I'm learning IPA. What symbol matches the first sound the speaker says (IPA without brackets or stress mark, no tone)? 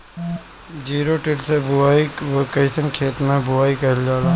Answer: d͡ʒ